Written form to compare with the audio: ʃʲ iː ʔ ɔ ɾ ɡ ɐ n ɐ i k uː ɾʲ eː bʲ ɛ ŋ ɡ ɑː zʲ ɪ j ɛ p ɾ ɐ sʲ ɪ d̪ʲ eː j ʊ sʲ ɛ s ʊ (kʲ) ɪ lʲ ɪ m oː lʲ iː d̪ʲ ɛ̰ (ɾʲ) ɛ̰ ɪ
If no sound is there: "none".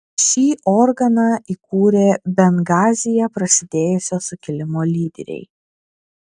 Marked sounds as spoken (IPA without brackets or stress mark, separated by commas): kʲ, ɾʲ